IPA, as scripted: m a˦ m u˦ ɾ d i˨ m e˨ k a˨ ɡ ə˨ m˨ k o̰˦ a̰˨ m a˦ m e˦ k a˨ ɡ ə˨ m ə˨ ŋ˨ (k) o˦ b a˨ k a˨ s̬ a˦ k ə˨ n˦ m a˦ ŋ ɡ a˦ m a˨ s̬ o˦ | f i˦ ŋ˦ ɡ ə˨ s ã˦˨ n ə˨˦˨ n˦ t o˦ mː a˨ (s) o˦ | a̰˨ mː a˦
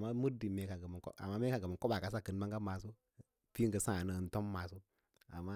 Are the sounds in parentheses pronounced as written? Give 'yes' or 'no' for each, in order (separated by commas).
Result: yes, yes